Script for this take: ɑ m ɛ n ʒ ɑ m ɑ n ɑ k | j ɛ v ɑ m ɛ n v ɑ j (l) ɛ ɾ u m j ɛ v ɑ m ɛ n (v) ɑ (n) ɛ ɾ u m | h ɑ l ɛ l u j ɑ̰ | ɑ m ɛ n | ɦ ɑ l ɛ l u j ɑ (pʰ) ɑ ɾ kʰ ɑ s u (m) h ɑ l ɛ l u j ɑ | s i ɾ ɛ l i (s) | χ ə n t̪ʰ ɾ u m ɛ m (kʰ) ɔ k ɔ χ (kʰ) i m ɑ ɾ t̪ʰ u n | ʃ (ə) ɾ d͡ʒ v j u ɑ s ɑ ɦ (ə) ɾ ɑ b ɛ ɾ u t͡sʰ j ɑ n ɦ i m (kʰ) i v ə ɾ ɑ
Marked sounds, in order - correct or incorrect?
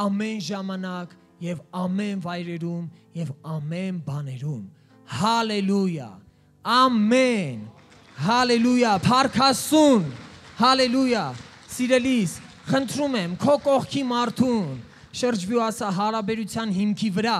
incorrect: ɾ, incorrect: b, correct, correct, incorrect: n, correct, correct, correct, correct, incorrect: ɑ, correct

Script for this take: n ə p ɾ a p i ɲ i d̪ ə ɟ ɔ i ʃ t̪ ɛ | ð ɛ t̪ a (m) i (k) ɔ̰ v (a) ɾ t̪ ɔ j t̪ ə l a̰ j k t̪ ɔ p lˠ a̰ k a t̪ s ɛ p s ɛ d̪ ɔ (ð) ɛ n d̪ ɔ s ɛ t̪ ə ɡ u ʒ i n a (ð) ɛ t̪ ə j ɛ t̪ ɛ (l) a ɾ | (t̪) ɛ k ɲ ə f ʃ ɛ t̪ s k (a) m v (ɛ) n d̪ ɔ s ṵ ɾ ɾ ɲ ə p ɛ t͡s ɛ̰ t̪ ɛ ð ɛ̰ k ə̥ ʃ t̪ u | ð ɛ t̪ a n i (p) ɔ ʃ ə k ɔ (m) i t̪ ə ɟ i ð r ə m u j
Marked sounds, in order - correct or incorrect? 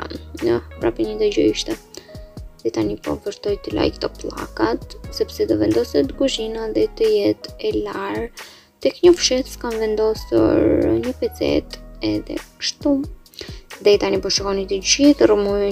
incorrect: n, incorrect: p, incorrect: ə, incorrect: v, correct, correct, correct, correct, correct, correct, incorrect: n

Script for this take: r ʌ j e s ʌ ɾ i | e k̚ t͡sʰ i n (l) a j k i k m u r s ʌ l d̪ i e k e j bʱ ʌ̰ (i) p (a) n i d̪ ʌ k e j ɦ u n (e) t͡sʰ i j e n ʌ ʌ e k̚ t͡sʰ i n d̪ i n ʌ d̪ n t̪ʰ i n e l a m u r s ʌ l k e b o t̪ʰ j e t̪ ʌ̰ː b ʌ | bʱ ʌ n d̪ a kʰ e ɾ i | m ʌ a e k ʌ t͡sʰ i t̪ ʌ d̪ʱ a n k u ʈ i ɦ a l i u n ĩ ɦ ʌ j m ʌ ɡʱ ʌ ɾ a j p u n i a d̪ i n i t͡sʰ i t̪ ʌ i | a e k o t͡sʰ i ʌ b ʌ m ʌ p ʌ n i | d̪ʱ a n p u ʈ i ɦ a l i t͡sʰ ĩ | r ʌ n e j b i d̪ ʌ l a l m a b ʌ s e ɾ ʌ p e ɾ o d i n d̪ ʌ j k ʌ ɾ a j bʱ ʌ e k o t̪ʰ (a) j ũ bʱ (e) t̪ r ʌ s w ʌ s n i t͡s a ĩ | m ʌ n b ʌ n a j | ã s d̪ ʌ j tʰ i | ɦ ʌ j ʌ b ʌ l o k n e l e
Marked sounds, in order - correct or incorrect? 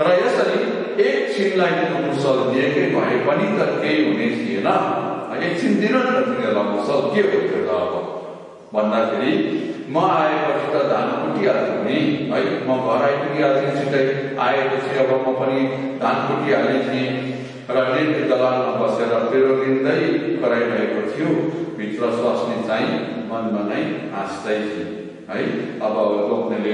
correct, incorrect: e, incorrect: ʌ, correct, incorrect: i, incorrect: i

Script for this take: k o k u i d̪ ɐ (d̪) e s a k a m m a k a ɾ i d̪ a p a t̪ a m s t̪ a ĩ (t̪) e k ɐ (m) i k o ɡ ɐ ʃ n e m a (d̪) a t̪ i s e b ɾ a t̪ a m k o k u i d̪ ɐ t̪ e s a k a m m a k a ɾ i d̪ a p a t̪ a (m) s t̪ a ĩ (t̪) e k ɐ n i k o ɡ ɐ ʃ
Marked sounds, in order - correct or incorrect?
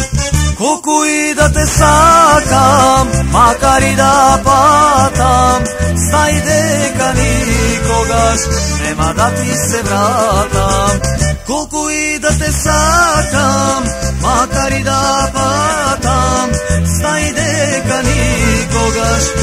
incorrect: t̪, incorrect: d̪, incorrect: n, correct, correct, incorrect: d̪

